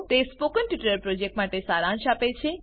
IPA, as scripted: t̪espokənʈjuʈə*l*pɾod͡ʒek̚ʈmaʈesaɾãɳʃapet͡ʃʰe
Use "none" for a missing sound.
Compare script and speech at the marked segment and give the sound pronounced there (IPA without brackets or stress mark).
ɾ